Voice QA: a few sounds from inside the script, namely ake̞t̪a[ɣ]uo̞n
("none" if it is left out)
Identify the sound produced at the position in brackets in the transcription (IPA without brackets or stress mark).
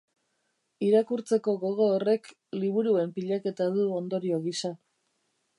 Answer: ð